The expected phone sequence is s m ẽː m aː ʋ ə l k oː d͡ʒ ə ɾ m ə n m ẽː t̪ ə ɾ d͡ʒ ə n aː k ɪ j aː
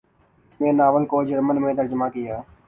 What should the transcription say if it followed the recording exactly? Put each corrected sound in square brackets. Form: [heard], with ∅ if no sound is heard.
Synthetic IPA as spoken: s m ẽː [n] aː ʋ ə l k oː d͡ʒ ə ɾ m ə n m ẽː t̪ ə ɾ d͡ʒ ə [m] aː k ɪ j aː